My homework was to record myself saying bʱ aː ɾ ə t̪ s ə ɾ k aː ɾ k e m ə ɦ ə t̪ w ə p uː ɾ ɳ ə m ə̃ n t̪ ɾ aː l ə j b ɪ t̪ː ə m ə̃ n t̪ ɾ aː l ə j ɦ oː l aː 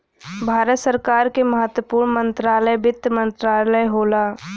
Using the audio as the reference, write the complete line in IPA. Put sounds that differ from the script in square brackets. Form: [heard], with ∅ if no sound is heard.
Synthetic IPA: bʱ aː ɾ ə t̪ s ə ɾ k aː ɾ k e m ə ɦ ə t̪ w ə p uː ɾ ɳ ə m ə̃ n t̪ ɾ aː l ə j b ɪ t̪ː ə m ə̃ n t̪ ɾ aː l ə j ɦ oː l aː